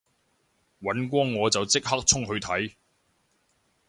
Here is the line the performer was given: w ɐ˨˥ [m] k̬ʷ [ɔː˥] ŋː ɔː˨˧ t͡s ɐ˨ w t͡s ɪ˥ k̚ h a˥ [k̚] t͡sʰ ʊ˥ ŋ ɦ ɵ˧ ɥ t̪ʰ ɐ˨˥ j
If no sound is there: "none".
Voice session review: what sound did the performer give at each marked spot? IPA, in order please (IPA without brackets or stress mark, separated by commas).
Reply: n, ɔː˥, k̚